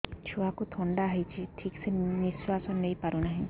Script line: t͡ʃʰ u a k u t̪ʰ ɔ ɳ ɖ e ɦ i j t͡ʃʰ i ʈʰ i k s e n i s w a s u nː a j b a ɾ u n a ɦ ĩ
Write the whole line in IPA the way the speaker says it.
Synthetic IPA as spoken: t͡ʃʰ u a k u t̪ʰ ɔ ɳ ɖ a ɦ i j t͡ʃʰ i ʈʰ i k s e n i s w a s ɔ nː e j p a ɾ u n a ɦ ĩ